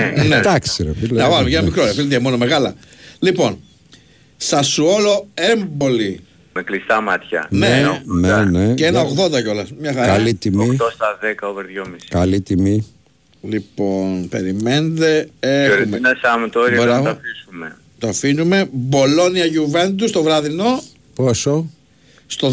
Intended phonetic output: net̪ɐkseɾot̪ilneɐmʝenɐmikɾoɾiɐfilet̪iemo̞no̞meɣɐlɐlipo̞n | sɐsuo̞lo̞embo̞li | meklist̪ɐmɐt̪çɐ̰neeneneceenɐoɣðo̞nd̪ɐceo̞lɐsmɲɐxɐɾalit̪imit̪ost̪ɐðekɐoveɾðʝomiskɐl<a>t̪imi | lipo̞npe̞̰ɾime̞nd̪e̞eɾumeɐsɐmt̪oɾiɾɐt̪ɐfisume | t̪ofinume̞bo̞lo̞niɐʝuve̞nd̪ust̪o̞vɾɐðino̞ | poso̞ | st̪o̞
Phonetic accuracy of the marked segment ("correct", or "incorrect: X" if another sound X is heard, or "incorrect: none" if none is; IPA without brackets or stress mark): incorrect: i